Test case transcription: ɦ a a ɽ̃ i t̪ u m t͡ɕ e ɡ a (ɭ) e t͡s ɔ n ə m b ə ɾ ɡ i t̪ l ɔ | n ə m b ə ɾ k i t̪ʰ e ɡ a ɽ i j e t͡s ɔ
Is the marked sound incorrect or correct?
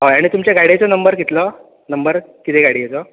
incorrect